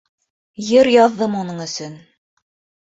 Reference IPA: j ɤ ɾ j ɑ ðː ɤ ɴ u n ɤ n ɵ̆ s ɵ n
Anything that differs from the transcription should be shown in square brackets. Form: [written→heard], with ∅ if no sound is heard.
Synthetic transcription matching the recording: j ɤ ɾ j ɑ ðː ɤ [ɴ→m] u n ɤ [n→ɴ] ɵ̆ s ɵ n